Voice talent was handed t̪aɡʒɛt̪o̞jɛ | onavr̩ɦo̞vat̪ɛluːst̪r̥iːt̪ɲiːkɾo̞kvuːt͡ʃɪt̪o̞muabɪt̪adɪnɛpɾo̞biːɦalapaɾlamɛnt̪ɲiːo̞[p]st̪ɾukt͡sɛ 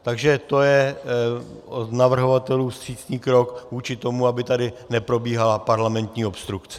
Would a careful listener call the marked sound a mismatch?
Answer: no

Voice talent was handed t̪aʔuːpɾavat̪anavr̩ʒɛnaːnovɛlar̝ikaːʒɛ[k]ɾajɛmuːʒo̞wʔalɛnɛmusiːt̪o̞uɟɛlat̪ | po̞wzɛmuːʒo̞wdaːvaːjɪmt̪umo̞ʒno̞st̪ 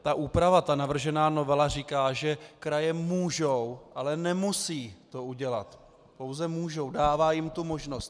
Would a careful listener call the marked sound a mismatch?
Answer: no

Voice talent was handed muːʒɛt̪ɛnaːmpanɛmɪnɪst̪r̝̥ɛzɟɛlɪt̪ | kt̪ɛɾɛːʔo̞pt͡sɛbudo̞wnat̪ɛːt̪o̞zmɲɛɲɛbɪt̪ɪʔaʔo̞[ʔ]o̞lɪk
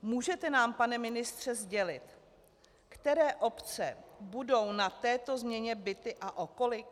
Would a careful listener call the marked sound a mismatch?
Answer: yes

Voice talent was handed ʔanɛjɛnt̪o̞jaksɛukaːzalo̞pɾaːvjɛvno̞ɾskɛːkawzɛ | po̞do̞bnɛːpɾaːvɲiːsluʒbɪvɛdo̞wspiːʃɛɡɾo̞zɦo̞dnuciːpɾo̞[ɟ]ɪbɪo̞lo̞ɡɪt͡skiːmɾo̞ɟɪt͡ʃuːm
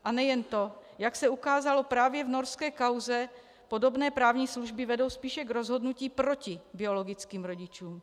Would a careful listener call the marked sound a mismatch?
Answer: yes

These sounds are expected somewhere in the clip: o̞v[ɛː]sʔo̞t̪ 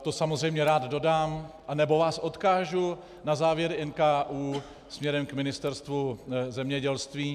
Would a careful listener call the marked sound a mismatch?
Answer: yes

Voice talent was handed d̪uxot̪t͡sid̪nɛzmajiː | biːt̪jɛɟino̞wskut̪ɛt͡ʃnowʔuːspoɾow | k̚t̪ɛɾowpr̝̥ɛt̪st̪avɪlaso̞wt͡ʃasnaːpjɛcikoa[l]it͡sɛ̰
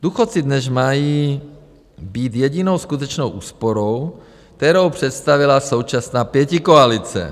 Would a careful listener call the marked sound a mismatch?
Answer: no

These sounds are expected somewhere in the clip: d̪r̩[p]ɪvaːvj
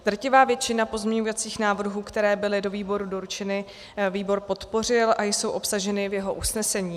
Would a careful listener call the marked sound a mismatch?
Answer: yes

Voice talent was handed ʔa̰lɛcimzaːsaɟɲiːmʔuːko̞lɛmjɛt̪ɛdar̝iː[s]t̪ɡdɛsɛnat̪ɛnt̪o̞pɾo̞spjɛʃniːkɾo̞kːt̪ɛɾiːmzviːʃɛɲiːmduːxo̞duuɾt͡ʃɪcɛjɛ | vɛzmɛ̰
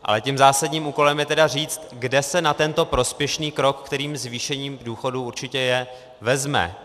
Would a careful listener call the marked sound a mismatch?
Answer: yes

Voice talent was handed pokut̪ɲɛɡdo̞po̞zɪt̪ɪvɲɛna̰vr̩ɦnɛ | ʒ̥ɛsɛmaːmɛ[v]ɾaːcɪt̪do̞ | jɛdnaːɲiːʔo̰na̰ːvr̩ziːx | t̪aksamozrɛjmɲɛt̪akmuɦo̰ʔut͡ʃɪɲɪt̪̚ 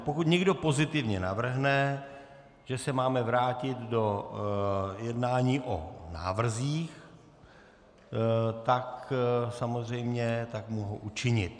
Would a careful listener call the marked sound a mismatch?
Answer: no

